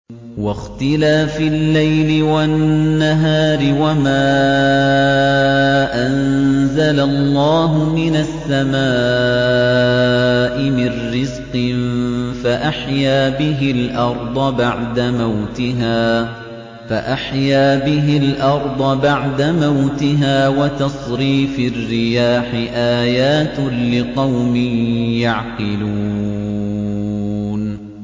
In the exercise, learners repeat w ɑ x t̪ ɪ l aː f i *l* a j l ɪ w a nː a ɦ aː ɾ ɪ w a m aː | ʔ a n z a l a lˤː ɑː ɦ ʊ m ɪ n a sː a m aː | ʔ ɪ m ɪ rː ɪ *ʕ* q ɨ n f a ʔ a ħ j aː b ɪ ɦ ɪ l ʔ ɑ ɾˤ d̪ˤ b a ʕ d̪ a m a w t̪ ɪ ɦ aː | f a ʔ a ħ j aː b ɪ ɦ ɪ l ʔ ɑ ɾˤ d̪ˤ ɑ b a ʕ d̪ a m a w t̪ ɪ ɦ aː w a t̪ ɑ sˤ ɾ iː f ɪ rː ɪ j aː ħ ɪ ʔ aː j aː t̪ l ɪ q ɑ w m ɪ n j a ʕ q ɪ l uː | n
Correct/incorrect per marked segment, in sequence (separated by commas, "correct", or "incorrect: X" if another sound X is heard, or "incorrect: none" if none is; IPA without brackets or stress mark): incorrect: lː, incorrect: z